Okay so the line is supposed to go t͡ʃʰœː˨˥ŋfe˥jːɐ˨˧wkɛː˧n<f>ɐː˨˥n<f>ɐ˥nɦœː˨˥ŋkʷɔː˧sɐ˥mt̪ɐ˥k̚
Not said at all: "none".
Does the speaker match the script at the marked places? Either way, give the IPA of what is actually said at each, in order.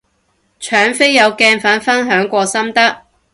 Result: f, f

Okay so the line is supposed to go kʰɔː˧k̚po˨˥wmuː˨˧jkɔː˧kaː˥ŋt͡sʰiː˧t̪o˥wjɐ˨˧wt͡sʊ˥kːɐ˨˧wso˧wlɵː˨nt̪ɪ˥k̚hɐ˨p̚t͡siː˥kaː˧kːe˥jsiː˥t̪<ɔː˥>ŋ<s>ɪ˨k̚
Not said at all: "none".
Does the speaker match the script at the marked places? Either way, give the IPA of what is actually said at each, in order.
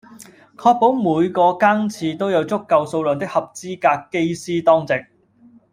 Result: ɔː˥, t͡s

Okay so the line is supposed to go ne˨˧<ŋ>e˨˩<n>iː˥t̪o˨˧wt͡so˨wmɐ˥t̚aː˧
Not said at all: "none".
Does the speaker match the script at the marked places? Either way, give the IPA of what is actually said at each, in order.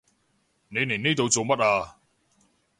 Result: n, n

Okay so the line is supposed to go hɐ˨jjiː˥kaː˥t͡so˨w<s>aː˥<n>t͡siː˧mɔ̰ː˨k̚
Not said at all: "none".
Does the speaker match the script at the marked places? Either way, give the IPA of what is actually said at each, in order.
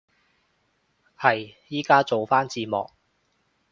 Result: f, n

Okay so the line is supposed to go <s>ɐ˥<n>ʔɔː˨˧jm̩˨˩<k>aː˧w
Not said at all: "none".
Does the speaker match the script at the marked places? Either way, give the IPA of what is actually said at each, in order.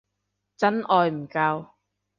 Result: t͡s, n, k

